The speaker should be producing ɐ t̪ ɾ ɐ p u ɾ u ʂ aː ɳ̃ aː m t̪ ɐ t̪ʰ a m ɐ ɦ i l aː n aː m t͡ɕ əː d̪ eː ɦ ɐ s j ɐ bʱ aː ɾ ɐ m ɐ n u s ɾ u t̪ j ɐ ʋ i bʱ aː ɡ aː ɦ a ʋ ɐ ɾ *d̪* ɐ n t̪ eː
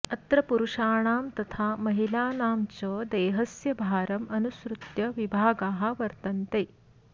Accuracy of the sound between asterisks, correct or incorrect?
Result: incorrect: t̪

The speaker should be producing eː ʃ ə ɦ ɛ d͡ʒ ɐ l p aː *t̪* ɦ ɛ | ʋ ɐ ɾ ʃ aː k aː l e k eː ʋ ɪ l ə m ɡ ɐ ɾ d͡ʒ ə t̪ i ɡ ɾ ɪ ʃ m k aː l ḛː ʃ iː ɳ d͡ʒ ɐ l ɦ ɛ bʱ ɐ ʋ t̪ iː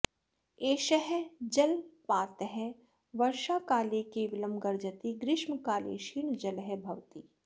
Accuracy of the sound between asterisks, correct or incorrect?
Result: correct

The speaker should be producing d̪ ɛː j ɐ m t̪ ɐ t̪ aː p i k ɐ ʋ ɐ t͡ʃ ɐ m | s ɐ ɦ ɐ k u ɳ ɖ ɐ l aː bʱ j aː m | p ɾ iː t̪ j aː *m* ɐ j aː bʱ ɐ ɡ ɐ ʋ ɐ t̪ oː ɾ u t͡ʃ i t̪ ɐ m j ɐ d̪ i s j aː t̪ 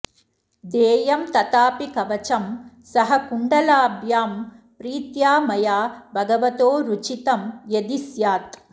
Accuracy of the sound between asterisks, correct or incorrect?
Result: correct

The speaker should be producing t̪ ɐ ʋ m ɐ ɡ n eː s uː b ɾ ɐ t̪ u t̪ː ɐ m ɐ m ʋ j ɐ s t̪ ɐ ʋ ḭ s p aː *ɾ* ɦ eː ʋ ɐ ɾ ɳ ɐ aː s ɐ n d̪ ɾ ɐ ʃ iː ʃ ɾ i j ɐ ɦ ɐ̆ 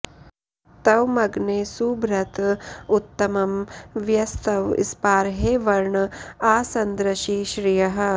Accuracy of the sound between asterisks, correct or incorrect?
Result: correct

